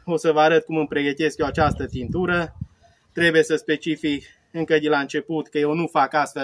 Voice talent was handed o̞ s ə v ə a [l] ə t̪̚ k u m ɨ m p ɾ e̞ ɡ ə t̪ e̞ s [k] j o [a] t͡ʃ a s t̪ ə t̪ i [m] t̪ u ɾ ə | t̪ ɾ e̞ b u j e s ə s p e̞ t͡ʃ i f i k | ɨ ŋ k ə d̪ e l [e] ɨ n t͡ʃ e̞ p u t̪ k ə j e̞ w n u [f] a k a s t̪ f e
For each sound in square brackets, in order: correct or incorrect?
incorrect: ɾ, correct, correct, incorrect: n, incorrect: a, correct

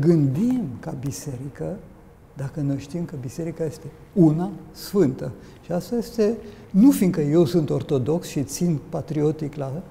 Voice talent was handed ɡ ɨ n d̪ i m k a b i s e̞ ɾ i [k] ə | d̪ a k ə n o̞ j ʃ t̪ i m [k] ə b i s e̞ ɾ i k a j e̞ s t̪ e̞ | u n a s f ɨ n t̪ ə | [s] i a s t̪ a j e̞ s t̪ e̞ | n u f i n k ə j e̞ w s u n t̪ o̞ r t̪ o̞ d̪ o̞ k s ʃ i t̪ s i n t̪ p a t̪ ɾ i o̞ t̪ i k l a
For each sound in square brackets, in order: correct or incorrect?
correct, correct, incorrect: ʃ

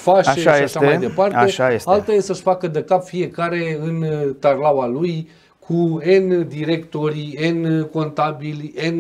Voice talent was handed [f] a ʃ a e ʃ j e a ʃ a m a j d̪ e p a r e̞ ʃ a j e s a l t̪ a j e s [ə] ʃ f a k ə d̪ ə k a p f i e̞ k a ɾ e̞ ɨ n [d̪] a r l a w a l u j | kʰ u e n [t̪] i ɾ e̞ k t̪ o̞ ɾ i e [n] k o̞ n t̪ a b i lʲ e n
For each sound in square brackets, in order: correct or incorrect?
correct, correct, incorrect: t̪, incorrect: d̪, correct

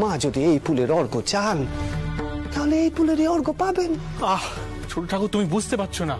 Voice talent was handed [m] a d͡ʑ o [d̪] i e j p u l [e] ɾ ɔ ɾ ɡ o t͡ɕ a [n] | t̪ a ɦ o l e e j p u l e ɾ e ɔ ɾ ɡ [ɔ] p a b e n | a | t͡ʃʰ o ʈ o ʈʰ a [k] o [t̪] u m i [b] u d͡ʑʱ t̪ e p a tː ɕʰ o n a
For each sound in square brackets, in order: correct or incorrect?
correct, correct, correct, correct, incorrect: o, correct, correct, correct

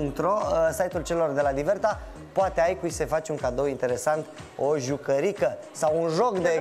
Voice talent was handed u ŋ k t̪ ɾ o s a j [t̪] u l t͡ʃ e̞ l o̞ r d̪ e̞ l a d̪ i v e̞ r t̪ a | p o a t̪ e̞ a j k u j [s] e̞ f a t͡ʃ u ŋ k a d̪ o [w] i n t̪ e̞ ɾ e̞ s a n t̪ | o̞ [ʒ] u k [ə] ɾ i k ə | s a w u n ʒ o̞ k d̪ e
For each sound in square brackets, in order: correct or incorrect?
correct, correct, correct, correct, correct

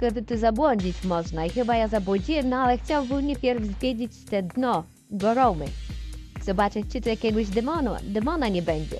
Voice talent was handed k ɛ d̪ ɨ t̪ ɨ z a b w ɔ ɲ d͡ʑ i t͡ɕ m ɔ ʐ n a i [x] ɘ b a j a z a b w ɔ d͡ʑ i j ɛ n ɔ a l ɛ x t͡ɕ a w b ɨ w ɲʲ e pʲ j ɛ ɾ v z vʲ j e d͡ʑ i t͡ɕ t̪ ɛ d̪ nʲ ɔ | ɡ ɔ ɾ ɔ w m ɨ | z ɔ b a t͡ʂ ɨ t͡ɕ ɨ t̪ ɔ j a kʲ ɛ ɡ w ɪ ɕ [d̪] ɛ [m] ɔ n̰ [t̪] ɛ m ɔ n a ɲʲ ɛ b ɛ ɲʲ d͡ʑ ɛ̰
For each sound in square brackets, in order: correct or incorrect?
correct, correct, correct, incorrect: d̪

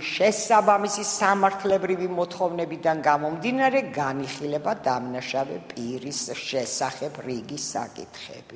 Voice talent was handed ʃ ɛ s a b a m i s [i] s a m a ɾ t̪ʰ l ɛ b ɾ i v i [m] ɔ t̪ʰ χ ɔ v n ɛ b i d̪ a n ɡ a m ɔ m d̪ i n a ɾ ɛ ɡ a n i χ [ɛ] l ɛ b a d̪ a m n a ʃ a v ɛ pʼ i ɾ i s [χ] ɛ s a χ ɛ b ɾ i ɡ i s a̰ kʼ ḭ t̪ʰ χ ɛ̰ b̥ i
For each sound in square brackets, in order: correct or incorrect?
correct, correct, incorrect: i, incorrect: ʃ

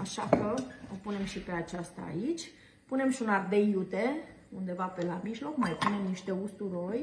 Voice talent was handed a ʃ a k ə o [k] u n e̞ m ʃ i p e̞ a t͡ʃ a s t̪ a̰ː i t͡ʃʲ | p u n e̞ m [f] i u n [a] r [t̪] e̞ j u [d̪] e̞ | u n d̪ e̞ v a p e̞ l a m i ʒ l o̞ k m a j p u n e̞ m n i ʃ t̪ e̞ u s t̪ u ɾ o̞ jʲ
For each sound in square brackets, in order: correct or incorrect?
incorrect: p, incorrect: ʃ, correct, incorrect: d̪, incorrect: t̪

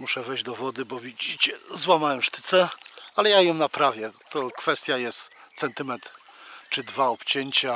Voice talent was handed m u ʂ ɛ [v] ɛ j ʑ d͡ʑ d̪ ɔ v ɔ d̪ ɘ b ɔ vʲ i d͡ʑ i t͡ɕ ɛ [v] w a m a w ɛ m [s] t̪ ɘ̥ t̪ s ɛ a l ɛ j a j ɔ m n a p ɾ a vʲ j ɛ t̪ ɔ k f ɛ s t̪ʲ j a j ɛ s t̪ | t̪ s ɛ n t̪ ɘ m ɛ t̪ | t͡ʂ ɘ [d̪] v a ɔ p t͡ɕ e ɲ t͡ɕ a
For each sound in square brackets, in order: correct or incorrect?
correct, incorrect: z, incorrect: ʂ, correct

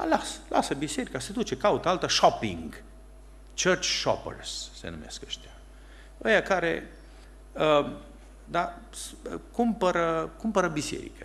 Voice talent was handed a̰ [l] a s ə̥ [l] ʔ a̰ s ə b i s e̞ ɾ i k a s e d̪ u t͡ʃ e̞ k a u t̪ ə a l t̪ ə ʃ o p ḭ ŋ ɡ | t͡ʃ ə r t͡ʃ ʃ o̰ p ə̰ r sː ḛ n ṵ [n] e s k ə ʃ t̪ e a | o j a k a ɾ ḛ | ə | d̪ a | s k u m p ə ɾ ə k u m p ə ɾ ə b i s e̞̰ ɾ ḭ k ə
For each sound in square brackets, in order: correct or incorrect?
correct, correct, incorrect: m

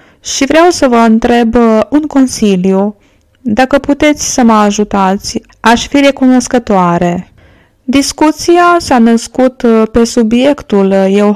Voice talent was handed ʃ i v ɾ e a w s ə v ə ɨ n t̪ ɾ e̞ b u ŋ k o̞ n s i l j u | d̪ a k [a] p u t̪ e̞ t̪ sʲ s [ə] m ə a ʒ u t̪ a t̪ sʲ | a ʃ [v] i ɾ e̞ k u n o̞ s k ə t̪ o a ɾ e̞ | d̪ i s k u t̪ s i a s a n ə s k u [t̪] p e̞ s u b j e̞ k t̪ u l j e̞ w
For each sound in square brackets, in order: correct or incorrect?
incorrect: ə, correct, incorrect: f, correct

